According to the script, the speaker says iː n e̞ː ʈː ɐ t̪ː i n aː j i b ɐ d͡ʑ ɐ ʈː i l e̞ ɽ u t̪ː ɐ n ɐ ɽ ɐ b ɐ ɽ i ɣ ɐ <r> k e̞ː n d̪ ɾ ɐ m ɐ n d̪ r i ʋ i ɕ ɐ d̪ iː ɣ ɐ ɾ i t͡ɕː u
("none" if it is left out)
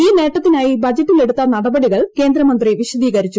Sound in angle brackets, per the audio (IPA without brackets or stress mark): ɭ